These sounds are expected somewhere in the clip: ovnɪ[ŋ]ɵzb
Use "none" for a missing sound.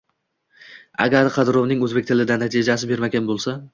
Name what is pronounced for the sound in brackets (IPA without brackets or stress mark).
ŋ